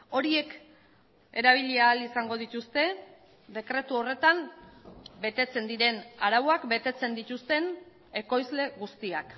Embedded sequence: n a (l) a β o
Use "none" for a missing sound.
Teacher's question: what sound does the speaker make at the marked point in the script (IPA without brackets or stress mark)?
ɾ